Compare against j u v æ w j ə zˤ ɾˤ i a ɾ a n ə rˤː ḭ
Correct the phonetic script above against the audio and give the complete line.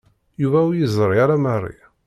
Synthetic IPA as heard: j u v æ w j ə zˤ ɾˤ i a ɾ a m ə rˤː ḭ

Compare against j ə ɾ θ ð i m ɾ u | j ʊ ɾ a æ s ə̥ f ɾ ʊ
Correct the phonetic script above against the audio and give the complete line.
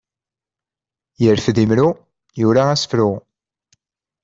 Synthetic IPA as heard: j ə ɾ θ ð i m ɾ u | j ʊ ɾ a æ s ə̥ f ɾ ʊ

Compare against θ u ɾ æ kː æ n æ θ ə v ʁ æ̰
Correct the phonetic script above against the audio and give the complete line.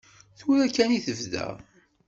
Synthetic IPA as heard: θ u ɾ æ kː æ n i θ ə v ð æ̰

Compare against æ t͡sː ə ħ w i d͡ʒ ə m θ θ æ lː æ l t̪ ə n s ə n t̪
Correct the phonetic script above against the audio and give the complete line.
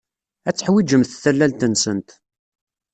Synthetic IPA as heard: æ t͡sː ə ħ w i d͡ʒ ə m θ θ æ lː æ l t̪ ə n s ə n t̪

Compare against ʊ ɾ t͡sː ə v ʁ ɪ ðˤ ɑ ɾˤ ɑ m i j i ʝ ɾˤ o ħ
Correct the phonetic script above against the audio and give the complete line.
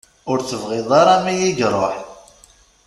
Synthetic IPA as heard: ʊ ɾ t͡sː ə v ʁ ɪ ðˤ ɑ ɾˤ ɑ m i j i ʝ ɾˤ o ħ

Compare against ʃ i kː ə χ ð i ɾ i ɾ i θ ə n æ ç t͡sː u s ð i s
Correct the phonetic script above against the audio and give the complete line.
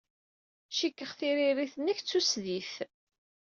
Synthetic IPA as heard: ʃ i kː ə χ θ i ɾ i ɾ i θ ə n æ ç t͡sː u s ð i θ

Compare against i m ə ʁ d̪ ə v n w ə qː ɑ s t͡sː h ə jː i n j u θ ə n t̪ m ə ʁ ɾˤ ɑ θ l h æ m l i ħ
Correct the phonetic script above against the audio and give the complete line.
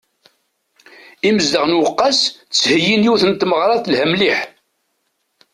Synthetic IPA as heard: i m ə z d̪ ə ʁ n w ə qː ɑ s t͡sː h ə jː i n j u θ ə n t̪ m ə ʁ ɾˤ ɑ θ l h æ m l i ħ

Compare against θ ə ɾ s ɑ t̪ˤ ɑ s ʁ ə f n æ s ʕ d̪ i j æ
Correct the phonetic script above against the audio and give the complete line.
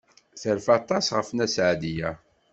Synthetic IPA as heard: θ ə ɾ f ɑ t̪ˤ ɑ s ʁ ə f n æ s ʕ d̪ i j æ

